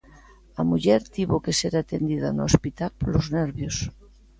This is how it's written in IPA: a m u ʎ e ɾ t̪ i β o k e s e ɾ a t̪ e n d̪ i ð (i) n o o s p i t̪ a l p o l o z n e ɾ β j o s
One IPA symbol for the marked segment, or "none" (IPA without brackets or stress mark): a